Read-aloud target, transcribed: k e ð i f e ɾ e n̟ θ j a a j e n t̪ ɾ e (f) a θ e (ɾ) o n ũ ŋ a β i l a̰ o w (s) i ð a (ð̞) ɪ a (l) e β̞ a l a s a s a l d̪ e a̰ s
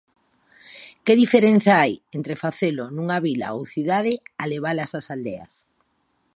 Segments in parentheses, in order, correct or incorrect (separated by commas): correct, incorrect, incorrect, correct, correct